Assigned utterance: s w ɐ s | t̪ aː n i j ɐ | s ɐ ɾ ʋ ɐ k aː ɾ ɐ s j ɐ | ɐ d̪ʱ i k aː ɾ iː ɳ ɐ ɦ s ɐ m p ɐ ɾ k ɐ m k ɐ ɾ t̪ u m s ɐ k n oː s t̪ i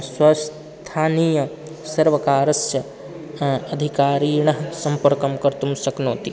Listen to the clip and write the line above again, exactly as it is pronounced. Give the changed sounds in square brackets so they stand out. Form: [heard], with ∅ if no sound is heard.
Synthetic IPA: s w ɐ s | [t̪ʰ] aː n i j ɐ | s ɐ ɾ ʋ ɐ k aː ɾ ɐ s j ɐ | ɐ d̪ʱ i k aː ɾ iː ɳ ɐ ɦ s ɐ m p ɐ ɾ k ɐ m k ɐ ɾ t̪ u m s ɐ k n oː [∅] t̪ i